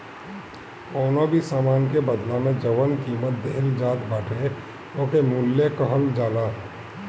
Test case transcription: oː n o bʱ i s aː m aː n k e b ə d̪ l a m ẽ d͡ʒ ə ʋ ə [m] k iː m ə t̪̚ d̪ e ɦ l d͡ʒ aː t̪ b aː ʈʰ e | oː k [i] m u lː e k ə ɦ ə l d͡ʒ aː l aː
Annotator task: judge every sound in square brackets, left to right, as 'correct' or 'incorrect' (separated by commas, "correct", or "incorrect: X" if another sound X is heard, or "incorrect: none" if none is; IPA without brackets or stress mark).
incorrect: n, incorrect: e